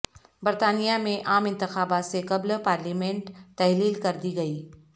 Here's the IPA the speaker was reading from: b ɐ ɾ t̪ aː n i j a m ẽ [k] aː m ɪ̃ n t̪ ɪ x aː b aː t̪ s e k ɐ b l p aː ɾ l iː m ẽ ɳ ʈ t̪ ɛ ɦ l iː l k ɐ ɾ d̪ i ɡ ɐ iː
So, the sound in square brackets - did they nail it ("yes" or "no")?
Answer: no